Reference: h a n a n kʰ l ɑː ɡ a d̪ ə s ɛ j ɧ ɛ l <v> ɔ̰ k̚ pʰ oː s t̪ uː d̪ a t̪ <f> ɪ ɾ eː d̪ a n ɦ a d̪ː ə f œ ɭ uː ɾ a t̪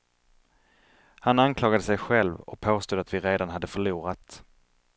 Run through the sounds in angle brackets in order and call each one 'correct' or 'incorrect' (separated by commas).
correct, incorrect